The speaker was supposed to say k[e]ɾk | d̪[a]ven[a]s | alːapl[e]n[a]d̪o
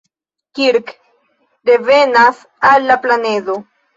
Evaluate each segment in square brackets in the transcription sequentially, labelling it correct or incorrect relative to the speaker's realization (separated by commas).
incorrect, incorrect, correct, incorrect, incorrect